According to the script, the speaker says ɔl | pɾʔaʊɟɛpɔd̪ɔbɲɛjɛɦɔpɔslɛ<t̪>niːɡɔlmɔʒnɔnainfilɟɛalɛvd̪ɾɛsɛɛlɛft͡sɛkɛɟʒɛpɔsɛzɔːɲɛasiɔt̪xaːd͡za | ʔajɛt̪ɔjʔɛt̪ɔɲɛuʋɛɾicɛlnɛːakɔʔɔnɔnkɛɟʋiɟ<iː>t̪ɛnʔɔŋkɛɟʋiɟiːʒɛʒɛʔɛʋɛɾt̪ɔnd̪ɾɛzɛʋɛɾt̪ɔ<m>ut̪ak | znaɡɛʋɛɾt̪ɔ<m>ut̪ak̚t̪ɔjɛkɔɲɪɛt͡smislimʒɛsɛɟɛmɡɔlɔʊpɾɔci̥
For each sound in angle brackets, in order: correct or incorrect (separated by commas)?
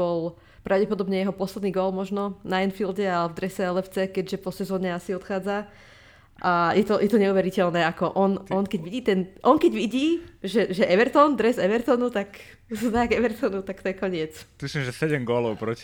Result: incorrect, correct, incorrect, incorrect